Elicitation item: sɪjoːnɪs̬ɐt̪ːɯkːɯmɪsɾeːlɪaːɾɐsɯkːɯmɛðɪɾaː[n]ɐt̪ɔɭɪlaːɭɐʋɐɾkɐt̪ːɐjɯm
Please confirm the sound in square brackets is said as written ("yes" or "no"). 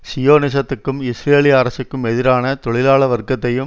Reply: yes